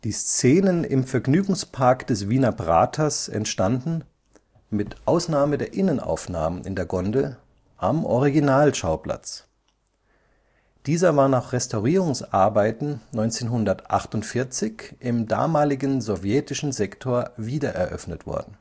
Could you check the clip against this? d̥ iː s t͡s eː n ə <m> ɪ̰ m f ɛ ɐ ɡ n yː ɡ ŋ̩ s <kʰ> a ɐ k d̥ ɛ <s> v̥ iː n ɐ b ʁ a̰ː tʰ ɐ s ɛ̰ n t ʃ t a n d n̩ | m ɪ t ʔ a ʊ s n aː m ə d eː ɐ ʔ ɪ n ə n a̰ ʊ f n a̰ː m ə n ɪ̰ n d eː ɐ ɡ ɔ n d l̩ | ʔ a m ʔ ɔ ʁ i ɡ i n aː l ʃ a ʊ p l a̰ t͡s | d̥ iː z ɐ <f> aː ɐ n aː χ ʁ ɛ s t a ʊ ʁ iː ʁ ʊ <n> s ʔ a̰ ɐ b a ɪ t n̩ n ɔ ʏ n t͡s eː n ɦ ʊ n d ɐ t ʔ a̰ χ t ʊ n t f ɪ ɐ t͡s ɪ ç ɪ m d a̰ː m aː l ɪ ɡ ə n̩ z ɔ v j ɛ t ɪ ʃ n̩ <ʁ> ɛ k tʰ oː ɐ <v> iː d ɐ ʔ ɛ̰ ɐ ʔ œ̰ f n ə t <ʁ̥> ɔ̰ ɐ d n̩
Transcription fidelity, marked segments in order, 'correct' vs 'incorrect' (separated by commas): incorrect, incorrect, correct, incorrect, incorrect, incorrect, correct, incorrect